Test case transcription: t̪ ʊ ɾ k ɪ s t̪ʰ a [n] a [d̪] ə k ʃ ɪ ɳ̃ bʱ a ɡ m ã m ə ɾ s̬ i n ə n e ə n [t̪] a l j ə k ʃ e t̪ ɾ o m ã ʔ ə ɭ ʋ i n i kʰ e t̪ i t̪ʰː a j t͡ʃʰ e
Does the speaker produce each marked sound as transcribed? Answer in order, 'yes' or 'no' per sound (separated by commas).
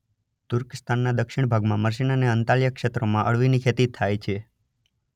no, yes, yes